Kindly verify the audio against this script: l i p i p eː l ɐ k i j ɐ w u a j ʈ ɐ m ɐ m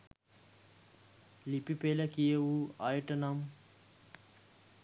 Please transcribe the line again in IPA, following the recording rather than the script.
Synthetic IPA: l i p i p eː l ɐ k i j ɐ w u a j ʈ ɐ n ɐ m